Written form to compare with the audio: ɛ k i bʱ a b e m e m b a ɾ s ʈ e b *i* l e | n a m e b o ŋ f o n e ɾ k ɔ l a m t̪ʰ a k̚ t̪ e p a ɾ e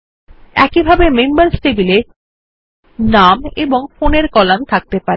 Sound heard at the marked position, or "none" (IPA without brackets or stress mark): i